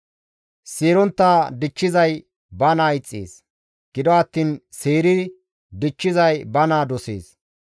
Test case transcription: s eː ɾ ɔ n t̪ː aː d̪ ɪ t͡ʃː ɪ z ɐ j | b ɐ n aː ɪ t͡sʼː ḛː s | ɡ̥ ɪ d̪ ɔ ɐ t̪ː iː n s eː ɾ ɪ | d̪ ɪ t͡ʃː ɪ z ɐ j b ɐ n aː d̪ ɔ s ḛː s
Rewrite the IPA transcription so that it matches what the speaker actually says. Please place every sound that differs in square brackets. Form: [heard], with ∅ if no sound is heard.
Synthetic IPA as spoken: s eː ɾ ɔ n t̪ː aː d̪ ɪ t͡ʃː ɪ z ɐ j | b ɐ n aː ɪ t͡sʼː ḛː s | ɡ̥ ɪ d̪ ɔ ɐ t̪ː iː n s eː ɾ ɪ | d̪ ɪ t͡ʃː ɪ z ɐ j b ɐ n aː d̪ ɔ s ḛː s